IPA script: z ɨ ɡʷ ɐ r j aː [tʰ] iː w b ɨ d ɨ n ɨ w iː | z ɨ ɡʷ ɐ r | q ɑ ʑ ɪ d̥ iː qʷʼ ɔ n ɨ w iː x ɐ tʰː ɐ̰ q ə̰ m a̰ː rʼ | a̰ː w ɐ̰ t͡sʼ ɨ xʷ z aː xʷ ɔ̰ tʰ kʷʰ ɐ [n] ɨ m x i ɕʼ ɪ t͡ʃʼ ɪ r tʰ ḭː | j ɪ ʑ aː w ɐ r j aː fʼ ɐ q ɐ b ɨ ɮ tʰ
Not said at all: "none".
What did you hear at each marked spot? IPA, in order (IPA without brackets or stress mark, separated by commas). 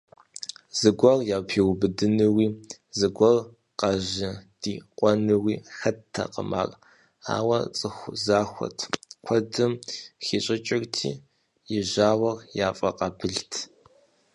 pʰ, d